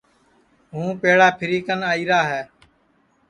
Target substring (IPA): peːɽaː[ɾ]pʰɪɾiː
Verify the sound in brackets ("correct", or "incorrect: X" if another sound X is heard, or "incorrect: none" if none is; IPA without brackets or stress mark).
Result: incorrect: none